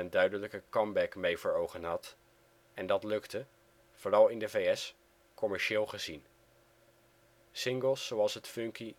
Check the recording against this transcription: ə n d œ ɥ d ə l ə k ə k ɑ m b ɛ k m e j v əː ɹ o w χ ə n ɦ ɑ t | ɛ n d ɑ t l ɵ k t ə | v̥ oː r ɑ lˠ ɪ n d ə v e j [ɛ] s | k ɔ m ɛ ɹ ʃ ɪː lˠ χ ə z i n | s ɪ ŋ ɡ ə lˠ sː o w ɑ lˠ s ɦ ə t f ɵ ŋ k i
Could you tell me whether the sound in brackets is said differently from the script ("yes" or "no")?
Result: no